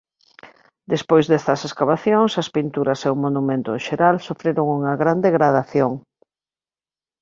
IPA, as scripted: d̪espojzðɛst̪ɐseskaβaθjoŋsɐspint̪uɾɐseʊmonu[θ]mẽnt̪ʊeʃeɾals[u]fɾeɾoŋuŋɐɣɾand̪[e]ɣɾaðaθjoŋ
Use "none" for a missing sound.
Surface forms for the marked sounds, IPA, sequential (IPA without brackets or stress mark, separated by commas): none, o, e